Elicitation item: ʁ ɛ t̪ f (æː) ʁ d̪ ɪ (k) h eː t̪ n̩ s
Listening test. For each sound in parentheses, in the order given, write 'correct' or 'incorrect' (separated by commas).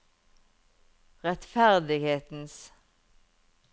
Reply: incorrect, incorrect